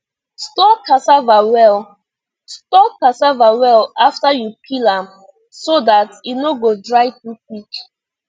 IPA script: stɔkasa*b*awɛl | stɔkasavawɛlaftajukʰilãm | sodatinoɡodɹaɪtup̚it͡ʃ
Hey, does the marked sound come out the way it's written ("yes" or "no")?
no